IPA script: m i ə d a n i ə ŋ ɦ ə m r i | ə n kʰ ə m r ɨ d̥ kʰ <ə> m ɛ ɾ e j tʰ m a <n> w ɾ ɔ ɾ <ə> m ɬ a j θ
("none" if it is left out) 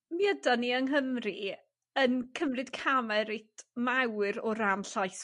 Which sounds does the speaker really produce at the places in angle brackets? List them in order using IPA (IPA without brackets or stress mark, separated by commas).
a, none, a